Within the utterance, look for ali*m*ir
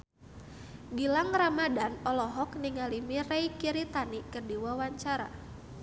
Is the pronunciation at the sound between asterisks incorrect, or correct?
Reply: correct